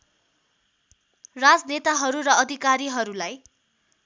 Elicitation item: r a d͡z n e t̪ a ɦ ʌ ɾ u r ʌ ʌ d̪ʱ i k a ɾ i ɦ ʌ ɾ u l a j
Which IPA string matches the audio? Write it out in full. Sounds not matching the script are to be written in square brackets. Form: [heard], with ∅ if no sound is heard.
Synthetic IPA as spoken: r a d͡z n e t̪ a ɦ ʌ ɾ u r ʌ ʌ d̪ʱ i k a ɾ i ɦ ʌ ɾ u l a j